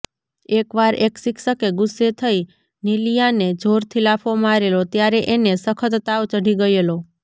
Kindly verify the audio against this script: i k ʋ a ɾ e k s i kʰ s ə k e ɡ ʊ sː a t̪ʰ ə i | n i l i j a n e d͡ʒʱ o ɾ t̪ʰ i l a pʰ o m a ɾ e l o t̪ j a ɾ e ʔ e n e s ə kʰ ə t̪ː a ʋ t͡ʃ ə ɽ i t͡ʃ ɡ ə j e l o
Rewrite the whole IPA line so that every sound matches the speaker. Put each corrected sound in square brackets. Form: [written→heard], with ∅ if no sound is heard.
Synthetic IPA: [i→e] k ʋ a ɾ e k s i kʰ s ə k e ɡ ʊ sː [a→e] t̪ʰ ə i | n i l i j a n e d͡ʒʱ o ɾ t̪ʰ i l a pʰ o m a ɾ e l o t̪ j a ɾ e ʔ e n e s ə kʰ ə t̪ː a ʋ t͡ʃ ə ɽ i [t͡ʃ→∅] ɡ ə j e l o